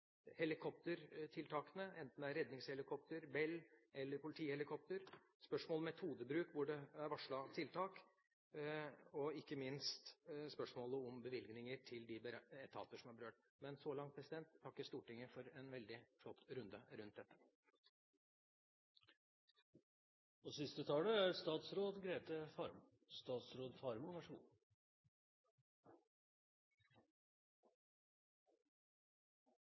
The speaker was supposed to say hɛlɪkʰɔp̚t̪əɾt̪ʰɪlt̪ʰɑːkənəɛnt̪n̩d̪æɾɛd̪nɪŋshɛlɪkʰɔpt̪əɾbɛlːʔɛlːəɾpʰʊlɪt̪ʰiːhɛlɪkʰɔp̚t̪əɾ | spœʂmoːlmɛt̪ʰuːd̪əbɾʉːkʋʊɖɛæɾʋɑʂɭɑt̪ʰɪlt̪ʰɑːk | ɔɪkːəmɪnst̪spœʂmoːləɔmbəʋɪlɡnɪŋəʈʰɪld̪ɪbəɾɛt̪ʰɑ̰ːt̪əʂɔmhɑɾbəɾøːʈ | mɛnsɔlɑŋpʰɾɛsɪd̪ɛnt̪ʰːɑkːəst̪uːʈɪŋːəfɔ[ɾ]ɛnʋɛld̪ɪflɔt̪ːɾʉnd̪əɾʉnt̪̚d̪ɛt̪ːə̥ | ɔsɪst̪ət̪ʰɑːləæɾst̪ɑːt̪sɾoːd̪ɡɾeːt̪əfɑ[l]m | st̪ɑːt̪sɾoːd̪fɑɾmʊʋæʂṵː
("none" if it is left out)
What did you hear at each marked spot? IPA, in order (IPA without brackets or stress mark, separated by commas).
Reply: ɾ, ɾ